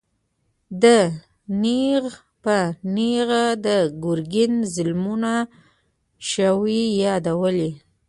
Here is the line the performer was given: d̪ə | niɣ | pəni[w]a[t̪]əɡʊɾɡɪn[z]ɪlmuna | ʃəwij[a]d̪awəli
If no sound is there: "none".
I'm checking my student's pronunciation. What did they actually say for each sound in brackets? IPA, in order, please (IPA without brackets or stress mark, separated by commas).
ɣ, d̪, z, ɑ